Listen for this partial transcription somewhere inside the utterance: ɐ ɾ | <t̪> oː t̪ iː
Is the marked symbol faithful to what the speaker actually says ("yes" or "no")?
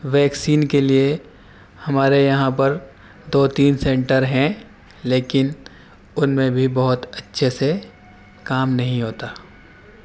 no